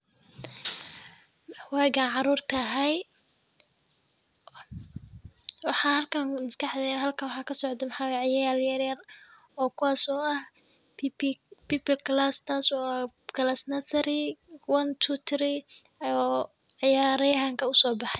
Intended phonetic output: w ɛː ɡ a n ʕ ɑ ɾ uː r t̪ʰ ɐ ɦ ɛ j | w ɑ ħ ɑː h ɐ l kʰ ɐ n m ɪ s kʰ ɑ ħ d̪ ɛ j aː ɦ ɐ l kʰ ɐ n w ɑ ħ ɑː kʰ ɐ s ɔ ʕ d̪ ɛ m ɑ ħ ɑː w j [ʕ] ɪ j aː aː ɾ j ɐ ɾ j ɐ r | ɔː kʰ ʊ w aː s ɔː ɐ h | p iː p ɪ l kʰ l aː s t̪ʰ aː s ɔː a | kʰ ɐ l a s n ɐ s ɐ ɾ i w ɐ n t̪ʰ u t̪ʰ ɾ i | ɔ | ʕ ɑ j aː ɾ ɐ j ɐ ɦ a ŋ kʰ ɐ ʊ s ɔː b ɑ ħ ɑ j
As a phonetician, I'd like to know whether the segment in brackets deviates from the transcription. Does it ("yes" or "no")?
no